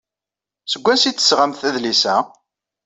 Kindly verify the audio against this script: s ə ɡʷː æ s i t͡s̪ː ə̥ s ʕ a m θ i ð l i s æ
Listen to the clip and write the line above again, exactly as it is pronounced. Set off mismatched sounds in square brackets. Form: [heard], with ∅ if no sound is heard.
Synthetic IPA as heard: s ə ɡʷː æ s i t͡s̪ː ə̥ s [ʁ] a m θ [æ] ð l i s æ